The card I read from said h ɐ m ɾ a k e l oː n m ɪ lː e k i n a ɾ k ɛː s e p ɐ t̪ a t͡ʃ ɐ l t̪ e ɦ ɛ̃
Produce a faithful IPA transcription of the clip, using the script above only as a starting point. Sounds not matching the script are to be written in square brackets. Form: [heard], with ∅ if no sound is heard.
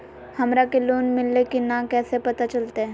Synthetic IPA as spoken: h ɐ m ɾ a k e l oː n m ɪ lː e k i n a [∅] k ɛː s e p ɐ t̪ a t͡ʃ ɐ l t̪ e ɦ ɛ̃